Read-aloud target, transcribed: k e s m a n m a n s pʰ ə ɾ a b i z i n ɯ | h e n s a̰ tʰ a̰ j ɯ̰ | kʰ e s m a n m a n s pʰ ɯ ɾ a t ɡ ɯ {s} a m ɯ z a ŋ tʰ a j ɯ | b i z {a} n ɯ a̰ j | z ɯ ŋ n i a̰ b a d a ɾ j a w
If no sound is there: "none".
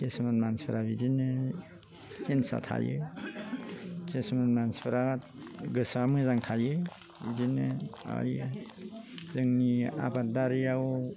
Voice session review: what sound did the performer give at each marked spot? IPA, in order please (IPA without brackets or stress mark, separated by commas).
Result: s, i